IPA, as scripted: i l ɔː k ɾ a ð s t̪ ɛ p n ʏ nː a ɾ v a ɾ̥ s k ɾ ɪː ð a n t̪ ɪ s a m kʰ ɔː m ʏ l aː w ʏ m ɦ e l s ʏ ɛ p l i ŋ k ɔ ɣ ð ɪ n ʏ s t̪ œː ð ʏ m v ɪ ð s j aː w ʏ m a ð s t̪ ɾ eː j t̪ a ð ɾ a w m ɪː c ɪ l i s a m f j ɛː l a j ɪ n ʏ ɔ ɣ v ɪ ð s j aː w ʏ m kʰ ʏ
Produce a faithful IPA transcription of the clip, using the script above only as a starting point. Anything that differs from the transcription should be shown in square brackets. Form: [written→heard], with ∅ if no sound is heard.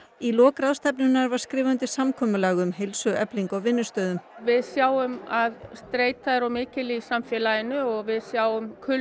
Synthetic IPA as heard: i l ɔː k ɾ a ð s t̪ ɛ p n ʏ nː a ɾ v a ɾ̥ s k ɾ ɪː [ð→v] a n t̪ ɪ s a m kʰ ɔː m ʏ l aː [w→ɣ] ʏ m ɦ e l s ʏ ɛ p l i ŋ k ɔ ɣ [ð→v] ɪ [n→nː] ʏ s t̪ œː ð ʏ m v ɪ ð s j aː w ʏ m a ð s t̪ ɾ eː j t̪ a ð ɾ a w m ɪː c ɪ l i s a m f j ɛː l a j ɪ n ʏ ɔ ɣ v ɪ ð s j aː w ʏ m kʰ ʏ